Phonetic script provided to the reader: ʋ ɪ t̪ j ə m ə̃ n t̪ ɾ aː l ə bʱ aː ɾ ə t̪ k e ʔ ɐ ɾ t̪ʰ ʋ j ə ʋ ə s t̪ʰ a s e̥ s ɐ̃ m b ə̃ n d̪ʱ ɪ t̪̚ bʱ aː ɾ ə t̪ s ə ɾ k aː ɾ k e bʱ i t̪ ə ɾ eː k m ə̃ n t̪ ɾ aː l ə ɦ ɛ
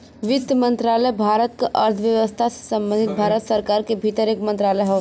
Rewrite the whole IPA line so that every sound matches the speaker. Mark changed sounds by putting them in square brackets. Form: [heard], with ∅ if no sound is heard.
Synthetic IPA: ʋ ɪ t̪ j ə m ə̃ n t̪ ɾ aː l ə bʱ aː ɾ ə t̪ k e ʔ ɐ ɾ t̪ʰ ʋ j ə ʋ ə s t̪ʰ a s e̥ s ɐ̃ m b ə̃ n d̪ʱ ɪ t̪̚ bʱ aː ɾ ə t̪ s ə ɾ k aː ɾ k e bʱ i t̪ ə ɾ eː k m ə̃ n t̪ ɾ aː l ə ɦ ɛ